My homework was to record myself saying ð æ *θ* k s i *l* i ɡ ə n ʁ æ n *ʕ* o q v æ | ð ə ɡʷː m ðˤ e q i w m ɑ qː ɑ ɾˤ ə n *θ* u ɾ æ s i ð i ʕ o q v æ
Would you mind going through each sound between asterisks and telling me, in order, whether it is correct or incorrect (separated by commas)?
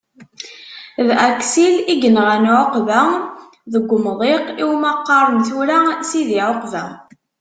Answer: incorrect, correct, correct, correct